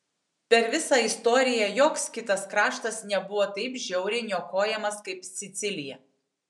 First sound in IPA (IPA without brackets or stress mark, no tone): pʲ